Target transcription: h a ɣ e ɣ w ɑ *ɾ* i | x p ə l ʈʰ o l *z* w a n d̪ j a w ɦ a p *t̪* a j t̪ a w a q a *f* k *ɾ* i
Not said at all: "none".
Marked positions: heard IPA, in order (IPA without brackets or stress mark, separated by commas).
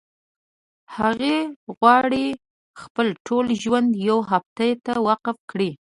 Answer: ɽ, ʒ, t̪, f, ɽ